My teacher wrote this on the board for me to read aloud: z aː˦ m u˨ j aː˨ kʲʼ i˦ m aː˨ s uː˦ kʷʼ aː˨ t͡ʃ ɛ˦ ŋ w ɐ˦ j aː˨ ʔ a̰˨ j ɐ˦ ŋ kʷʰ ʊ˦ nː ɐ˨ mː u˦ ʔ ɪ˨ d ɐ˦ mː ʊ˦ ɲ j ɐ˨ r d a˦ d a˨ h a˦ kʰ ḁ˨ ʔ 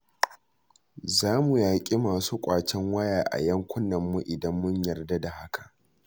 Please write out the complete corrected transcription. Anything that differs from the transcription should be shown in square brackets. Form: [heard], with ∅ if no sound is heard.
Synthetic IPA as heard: z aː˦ m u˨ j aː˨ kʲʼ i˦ m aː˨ s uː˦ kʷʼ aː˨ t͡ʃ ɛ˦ ŋ w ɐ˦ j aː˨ ʔ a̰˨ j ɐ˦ ŋ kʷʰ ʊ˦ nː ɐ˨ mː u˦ ʔ ɪ˨ d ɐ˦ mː ʊ˦ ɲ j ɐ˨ r d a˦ d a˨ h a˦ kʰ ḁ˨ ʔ